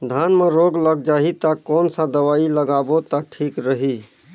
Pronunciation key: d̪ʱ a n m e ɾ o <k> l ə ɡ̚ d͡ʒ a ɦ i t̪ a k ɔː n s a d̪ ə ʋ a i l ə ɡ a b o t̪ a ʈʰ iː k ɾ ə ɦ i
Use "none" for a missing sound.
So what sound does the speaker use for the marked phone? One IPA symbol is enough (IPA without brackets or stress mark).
ɡ